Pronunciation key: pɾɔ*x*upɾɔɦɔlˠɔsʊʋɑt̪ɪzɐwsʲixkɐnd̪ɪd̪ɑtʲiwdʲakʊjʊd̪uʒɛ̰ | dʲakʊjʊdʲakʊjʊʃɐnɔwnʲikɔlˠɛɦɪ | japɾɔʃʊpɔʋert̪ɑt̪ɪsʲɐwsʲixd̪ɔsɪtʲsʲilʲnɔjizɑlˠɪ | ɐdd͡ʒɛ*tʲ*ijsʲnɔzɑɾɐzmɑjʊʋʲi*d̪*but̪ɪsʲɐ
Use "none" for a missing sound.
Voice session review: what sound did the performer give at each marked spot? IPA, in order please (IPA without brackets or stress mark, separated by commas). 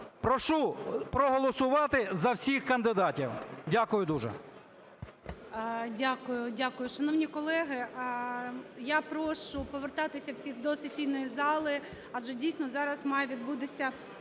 ʃ, dʲ, d̪